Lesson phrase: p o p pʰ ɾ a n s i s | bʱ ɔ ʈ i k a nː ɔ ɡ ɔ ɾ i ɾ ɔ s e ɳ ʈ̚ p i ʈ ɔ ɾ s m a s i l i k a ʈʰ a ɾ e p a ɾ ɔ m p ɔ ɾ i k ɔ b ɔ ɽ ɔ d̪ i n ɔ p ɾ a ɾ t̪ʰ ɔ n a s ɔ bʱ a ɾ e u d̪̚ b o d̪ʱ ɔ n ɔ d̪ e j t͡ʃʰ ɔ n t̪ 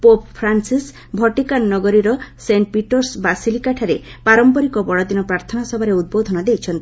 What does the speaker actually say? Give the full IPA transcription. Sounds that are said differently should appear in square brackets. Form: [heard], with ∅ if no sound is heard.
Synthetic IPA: p o p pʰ ɾ a n s i s | bʱ ɔ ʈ i k a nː ɔ ɡ ɔ ɾ i ɾ ɔ s e ɳ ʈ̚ p i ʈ ɔ ɾ s [b] a s i l i k a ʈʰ a ɾ e p a ɾ ɔ m p ɔ ɾ i k ɔ b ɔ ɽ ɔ d̪ i n ɔ p ɾ a ɾ t̪ʰ ɔ n a s ɔ bʱ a ɾ e u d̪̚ b o d̪ʱ ɔ n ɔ d̪ e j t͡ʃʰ ɔ n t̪